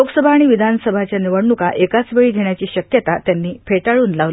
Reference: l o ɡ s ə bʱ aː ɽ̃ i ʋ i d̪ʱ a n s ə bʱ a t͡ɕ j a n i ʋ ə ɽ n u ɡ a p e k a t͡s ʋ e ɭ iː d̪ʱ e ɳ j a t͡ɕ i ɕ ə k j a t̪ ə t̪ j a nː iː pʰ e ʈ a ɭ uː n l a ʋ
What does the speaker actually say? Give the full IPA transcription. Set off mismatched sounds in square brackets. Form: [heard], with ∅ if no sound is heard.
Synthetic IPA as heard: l o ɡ s ə bʱ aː ɽ̃ i ʋ i d̪ʱ a n s ə bʱ a t͡ɕ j a n i ʋ ə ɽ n u [k] a [ʔ] e k a t͡s ʋ e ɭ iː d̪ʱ e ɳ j a t͡ɕ [iː] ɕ ə k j [ə] t̪ [a] t̪ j a nː iː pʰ e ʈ a ɭ uː n l a ʋ